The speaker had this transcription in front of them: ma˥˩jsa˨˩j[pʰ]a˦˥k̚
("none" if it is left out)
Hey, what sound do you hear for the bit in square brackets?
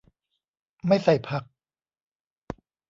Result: pʰ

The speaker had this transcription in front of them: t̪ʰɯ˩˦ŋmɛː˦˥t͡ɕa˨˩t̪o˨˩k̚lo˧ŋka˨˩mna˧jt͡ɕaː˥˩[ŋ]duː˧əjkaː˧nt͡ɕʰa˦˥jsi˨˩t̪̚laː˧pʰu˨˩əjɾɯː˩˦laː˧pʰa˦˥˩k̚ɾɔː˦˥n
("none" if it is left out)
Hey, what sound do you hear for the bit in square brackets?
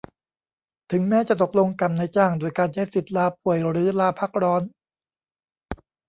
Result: ŋ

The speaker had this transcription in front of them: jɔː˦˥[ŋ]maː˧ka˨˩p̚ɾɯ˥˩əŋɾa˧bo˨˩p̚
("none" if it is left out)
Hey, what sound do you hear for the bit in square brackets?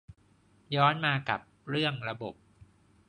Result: n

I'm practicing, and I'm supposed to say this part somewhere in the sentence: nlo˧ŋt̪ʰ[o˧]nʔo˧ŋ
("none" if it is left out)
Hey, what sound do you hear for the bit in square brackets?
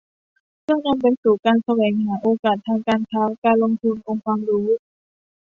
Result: u˧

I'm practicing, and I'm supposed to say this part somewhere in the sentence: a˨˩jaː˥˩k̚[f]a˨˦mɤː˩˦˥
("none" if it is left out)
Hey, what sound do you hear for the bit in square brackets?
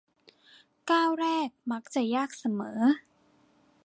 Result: s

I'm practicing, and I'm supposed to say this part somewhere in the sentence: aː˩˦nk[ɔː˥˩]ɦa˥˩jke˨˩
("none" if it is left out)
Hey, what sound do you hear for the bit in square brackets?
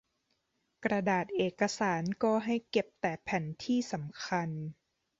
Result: ɔː˧˩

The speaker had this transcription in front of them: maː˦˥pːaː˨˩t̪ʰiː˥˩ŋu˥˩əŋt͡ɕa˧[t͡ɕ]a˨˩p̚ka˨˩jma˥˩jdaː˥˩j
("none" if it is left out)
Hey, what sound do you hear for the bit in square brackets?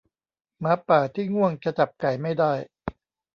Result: t͡ɕ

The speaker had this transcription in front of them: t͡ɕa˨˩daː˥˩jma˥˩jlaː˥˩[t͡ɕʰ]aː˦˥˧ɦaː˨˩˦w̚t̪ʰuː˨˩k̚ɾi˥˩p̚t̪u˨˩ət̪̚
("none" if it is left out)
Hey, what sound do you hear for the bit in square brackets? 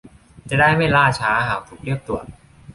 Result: t͡ɕʰ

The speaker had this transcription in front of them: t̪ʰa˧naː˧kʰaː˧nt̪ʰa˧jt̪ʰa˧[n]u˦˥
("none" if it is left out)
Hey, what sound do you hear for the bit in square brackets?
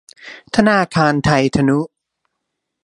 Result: n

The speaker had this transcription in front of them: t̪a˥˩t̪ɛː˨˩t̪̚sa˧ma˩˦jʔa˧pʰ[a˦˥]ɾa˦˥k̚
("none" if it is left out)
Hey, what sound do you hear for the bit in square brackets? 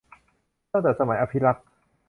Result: i˦˥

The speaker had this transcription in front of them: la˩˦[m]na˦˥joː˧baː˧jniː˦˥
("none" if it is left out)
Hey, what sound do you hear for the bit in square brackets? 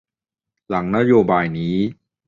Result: ŋ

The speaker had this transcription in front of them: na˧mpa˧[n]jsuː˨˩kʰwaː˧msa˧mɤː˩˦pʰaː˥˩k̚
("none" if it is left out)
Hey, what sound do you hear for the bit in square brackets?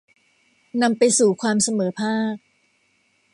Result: none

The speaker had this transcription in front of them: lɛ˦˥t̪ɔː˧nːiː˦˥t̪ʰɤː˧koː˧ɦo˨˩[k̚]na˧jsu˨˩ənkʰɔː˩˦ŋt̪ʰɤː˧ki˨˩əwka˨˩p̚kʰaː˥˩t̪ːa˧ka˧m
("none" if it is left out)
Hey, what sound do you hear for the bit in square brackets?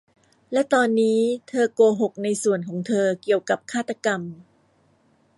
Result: k̚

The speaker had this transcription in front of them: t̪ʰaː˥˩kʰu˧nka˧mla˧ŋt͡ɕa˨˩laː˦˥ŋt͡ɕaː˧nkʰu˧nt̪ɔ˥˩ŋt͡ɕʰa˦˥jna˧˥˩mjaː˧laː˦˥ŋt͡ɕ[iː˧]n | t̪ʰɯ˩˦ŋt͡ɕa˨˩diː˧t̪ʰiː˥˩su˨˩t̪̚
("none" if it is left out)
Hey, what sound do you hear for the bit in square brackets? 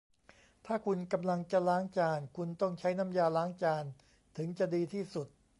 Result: aː˧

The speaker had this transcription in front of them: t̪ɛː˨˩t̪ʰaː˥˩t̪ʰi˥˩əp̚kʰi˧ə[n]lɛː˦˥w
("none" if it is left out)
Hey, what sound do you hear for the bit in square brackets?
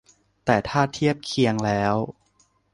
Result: ŋ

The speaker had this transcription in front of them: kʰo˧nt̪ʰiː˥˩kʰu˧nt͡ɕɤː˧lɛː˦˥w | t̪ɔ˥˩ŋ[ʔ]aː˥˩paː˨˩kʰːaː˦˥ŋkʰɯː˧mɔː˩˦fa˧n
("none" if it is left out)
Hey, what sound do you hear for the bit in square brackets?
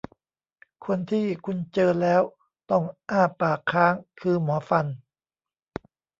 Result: ʔ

